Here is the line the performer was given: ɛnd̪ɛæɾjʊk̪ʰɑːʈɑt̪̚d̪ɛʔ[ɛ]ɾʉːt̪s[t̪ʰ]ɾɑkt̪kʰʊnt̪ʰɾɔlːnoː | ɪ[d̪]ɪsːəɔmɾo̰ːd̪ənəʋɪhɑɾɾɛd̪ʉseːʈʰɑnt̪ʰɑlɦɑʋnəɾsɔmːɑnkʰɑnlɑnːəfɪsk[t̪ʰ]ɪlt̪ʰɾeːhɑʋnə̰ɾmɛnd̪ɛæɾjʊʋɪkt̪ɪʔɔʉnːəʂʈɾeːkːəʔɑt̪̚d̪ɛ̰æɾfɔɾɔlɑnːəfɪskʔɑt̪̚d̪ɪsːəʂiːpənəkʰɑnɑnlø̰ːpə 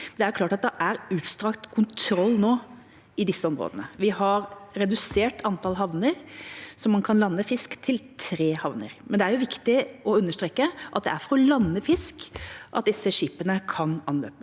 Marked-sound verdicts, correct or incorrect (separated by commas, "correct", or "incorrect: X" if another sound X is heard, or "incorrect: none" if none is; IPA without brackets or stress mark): incorrect: æ, incorrect: t̪, correct, correct